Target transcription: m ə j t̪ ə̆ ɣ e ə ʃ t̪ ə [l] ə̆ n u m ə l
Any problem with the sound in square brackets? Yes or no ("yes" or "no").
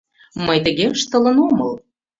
no